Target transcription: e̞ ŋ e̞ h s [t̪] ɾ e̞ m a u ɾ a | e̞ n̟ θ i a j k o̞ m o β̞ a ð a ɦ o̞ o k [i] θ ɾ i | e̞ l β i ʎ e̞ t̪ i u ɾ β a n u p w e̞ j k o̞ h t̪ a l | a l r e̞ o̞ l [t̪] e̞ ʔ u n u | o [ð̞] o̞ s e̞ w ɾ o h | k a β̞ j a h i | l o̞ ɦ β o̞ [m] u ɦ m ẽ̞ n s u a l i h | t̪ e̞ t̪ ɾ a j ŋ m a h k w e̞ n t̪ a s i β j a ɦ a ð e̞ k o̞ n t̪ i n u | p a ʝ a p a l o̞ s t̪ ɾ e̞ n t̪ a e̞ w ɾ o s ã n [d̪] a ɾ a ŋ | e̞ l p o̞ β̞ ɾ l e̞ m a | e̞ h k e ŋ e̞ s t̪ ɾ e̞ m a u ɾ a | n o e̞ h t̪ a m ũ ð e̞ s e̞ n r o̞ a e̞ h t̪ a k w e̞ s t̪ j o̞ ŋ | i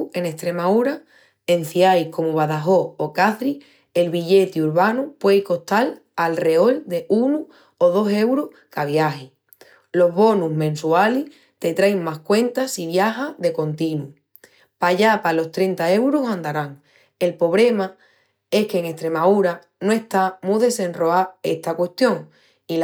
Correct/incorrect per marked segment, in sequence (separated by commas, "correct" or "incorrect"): correct, incorrect, incorrect, correct, incorrect, correct